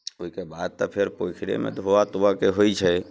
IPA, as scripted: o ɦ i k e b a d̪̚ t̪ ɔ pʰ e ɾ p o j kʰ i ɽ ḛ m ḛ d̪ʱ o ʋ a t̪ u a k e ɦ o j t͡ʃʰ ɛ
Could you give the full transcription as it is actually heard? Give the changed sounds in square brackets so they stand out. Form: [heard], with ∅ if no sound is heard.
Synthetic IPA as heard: o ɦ i k e b a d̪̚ t̪ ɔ pʰ e ɾ p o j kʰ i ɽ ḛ m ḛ d̪ʱ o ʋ a t̪ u a k e ɦ o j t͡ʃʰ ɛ